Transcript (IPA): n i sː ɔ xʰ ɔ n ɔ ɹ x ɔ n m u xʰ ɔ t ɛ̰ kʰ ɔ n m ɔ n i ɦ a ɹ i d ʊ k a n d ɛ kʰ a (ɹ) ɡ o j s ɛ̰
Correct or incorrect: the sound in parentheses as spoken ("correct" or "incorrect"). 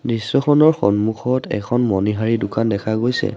incorrect